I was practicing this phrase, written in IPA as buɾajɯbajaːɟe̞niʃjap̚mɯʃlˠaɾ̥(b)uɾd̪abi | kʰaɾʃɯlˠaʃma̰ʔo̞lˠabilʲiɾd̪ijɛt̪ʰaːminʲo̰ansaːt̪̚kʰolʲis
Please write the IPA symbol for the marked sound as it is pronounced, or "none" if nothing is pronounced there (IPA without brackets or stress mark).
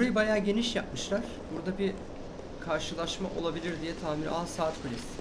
b